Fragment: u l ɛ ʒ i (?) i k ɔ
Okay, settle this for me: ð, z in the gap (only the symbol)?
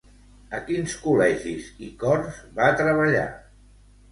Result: z